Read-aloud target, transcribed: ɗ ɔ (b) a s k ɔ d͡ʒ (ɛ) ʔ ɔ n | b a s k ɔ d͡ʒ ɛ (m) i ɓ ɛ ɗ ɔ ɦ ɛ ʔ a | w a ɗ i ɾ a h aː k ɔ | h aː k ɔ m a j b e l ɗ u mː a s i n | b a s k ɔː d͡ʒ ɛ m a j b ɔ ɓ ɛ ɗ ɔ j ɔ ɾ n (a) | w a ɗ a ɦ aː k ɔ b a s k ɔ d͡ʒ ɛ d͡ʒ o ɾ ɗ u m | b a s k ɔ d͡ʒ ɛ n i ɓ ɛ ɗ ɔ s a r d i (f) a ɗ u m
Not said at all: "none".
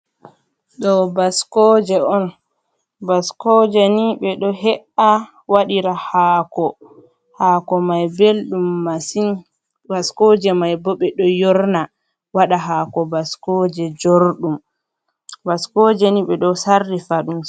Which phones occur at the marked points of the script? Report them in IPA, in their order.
b, ɛ, n, a, f

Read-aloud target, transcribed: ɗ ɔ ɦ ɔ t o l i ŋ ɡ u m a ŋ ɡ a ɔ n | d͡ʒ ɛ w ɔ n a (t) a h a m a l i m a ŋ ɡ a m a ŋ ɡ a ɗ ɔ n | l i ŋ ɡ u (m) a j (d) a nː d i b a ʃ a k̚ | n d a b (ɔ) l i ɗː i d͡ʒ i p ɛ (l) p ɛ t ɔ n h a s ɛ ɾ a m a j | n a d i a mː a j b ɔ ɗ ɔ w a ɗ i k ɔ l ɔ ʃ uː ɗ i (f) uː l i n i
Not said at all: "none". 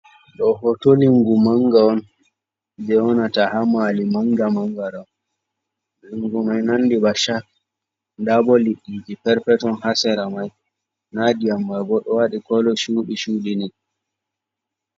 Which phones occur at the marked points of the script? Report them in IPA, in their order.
t, m, n, ɔ, ɾ, ʃ

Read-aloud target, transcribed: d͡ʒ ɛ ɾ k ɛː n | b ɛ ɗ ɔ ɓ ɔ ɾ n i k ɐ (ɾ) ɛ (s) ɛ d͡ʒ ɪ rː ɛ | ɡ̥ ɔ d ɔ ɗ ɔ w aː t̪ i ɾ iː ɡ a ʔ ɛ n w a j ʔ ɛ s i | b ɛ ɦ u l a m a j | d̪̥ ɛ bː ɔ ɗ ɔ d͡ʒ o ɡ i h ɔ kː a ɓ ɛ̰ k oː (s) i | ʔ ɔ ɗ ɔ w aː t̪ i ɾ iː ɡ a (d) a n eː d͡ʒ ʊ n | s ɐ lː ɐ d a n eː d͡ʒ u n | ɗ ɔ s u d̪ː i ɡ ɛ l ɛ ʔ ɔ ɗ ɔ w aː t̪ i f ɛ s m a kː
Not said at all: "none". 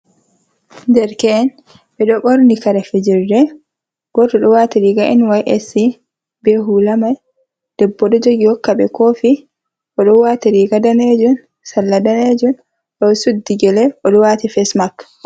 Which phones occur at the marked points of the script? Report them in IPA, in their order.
ɾ, f, f, d

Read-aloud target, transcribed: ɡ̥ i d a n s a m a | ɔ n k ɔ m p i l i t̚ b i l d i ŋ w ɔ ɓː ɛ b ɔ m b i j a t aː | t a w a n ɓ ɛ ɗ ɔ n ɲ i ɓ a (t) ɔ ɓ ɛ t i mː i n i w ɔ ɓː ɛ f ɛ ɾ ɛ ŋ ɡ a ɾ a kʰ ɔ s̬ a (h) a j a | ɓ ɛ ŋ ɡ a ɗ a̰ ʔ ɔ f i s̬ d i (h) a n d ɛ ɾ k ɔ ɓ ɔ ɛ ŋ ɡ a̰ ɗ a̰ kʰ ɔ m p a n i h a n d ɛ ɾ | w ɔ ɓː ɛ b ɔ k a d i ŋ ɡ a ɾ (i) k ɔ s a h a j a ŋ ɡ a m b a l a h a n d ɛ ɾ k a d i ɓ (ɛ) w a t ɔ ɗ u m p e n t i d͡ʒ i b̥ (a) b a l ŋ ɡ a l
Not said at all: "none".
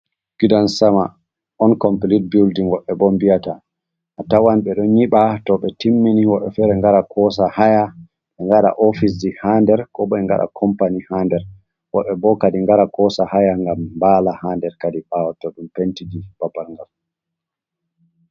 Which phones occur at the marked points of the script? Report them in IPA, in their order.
t, h, h, a, a, a

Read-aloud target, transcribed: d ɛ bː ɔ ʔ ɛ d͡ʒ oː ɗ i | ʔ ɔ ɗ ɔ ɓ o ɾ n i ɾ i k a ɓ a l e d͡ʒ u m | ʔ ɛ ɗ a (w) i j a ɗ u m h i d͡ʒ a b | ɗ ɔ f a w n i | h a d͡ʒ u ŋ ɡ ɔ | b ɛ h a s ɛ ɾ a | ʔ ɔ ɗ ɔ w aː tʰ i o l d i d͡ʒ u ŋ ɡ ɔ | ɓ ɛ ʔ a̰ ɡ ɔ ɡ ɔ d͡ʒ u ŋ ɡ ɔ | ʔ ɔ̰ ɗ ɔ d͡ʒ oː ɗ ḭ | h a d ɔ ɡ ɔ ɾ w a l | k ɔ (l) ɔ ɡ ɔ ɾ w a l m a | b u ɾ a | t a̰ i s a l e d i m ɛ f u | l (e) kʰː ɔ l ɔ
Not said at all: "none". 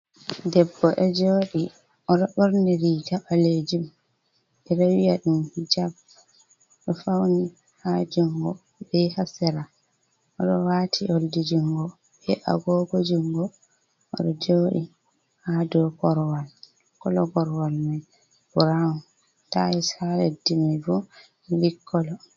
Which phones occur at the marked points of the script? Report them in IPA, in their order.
w, l, i

